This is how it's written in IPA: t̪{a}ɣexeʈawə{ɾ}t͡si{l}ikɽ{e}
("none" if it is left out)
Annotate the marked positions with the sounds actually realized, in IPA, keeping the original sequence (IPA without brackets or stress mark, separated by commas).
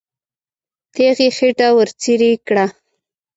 e, ɾ, ɾ, a